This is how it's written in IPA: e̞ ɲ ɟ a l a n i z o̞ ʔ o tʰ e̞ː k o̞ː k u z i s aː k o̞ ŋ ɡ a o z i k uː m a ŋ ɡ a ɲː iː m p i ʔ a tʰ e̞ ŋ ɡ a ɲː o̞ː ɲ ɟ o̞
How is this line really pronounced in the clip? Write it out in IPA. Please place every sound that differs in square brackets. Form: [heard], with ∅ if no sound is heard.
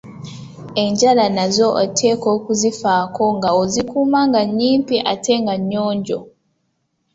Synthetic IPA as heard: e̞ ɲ ɟ a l a n [a] z o̞ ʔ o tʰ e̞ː k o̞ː k u z i [f] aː k o̞ ŋ ɡ a o z i k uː m a ŋ ɡ a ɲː iː m p i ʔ a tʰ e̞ ŋ ɡ a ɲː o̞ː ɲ ɟ o̞